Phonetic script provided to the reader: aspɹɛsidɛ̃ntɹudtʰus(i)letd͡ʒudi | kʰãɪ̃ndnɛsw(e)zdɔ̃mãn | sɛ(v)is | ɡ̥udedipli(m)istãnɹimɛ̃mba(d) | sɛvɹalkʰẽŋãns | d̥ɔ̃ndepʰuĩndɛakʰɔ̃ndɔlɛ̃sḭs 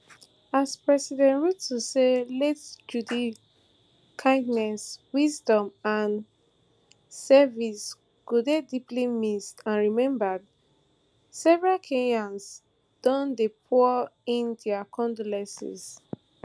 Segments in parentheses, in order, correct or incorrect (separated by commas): incorrect, incorrect, correct, correct, correct